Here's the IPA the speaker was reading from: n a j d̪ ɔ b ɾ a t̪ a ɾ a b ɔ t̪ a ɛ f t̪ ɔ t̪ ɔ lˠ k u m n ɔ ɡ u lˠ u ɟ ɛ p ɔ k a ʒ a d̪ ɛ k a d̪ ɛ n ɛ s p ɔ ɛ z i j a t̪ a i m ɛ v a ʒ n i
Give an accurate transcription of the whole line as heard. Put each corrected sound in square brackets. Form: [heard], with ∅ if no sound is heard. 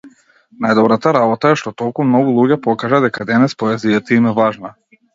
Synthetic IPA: n a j d̪ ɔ b ɾ a t̪ a ɾ a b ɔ t̪ a ɛ [ʃ] t̪ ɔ t̪ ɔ lˠ k u m n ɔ ɡ u lˠ u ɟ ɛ p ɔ k a ʒ a d̪ ɛ k a d̪ ɛ n ɛ s p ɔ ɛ z i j a t̪ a i m ɛ v a ʒ n [a]